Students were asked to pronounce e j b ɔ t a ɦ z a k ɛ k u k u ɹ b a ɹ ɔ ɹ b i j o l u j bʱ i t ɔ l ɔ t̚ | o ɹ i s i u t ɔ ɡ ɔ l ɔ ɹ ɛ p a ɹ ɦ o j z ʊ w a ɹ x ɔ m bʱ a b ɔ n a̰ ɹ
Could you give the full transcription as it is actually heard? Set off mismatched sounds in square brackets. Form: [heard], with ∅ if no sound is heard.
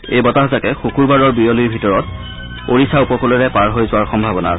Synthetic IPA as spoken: e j b ɔ t a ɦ z a k ɛ [x] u k u ɹ b a ɹ ɔ ɹ b i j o l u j bʱ i t ɔ [ɹ] ɔ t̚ | o ɹ i s [a] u [p] ɔ [k] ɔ l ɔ ɹ ɛ p a ɹ ɦ o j z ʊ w a ɹ x ɔ m bʱ a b ɔ n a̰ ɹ